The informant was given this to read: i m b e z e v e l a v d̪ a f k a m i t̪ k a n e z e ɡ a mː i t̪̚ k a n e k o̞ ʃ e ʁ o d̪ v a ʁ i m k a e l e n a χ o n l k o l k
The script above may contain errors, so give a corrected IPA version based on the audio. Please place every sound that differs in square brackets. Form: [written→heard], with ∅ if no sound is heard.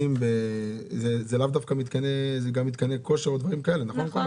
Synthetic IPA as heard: i m b e z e [v→z] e l a v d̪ a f k a m i t̪ k a n e z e ɡ a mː i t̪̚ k a n e k o̞ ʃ e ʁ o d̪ v a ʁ i m k a e l e n a χ o n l k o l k